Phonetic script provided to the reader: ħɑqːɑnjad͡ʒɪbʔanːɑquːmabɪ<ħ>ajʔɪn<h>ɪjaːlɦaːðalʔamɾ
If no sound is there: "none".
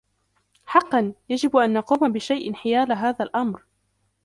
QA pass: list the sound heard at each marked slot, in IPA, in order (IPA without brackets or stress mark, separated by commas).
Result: ʃ, ħ